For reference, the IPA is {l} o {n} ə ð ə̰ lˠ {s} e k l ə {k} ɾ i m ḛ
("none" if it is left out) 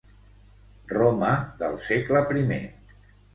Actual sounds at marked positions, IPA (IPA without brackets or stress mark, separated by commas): r, m, s, p